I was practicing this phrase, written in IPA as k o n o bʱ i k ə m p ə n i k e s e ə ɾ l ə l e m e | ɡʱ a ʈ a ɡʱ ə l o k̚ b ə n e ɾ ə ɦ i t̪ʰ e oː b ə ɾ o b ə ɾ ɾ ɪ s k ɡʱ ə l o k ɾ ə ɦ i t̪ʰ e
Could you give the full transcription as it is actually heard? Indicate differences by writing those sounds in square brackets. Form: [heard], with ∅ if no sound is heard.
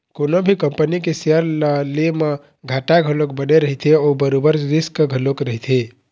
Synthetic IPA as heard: k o n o bʱ i k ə m p ə n i k e s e ə ɾ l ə l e m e | ɡʱ a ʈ a ɡʱ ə l o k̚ b ə n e ɾ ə ɦ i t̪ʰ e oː b ə ɾ o b ə ɾ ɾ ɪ s k ɡʱ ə l o k ɾ ə ɦ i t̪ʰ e